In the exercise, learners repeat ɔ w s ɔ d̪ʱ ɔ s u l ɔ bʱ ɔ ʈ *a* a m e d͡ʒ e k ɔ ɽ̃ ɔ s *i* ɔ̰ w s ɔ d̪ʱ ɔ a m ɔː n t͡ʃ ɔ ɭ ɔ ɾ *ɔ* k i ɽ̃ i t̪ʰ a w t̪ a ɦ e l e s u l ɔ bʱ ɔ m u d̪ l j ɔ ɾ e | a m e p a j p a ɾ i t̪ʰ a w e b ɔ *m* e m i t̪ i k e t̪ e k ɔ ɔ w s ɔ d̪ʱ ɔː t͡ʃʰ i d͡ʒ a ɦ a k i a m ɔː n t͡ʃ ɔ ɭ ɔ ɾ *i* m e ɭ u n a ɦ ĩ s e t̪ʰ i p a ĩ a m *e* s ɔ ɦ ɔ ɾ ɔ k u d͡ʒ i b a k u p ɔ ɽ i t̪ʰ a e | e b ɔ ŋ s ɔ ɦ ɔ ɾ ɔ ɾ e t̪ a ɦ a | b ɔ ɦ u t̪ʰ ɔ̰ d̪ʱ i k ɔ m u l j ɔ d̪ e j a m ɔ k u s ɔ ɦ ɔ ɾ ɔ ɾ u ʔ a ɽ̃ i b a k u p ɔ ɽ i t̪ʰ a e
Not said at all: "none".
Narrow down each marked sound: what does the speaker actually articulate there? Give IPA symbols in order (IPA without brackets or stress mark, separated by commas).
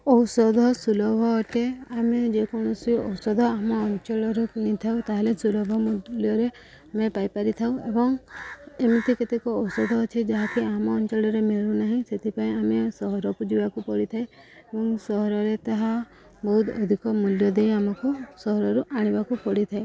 e, i, u, ŋ, e, e